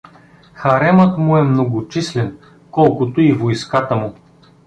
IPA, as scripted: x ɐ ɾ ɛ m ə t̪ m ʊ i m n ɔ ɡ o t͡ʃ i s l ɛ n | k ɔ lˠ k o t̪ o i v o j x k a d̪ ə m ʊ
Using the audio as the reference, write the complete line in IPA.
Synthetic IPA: x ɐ ɾ ɛ m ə t̪ m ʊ ɛ m n o ɡ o t͡ʃ i s l ɛ n | k ɔ lˠ k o t̪ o i v o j s k a t̪ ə m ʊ